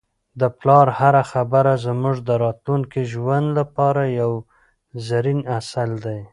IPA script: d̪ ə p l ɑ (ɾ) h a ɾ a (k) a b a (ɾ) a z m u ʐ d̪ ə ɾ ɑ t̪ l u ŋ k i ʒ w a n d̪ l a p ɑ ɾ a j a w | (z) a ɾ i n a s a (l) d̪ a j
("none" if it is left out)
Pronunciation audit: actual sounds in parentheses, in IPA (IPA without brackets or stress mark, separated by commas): ɾ, x, ɾ, z, l